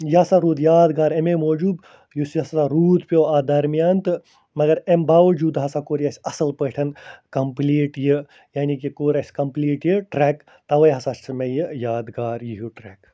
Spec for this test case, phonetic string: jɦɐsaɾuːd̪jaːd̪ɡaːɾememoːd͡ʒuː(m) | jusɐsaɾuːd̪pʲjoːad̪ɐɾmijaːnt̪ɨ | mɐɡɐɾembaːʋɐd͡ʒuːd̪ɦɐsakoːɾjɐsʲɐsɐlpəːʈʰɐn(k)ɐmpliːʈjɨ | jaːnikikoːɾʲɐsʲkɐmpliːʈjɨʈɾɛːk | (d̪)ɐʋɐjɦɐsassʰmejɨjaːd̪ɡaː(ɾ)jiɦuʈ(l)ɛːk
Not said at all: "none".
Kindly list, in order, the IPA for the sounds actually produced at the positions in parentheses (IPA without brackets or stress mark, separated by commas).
b, k, t̪, ɾ, ɾ